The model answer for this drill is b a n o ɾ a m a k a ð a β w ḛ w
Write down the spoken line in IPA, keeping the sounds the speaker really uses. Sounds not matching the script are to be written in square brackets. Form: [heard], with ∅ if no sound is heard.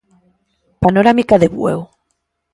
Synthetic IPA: [p] a n o ɾ a m [i] k a ð [e] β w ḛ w